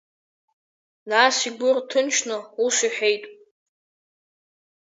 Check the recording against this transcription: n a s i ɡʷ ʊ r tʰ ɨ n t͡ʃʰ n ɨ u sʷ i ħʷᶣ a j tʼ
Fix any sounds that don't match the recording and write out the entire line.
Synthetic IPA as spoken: n a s i ɡʷ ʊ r tʰ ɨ n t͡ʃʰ n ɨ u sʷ i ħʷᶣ e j tʼ